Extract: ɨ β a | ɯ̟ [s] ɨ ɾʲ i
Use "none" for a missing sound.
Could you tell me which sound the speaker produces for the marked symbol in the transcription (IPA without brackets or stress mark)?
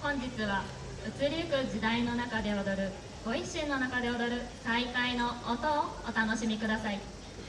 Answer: t͡s